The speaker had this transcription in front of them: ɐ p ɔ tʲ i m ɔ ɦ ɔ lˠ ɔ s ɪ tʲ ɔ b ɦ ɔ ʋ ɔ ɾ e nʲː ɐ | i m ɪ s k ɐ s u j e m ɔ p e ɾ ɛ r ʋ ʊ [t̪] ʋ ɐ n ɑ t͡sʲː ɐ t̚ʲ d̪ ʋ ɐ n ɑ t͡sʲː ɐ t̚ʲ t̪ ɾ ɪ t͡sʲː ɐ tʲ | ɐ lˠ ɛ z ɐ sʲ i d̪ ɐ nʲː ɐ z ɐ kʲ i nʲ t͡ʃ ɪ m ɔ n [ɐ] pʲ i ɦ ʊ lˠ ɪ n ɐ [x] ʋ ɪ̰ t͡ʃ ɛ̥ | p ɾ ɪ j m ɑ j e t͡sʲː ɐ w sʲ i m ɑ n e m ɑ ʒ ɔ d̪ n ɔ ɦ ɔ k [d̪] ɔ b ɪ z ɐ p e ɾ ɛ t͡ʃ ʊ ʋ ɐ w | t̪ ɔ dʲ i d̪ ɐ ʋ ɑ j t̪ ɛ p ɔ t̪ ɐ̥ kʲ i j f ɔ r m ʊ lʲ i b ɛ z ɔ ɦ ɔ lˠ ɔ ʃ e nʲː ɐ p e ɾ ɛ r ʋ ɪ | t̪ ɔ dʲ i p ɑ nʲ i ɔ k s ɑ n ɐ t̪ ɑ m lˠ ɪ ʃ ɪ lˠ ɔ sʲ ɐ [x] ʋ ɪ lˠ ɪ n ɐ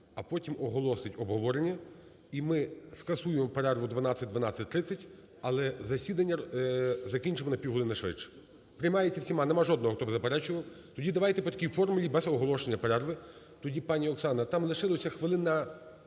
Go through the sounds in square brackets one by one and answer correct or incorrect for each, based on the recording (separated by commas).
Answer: incorrect, correct, incorrect, incorrect, correct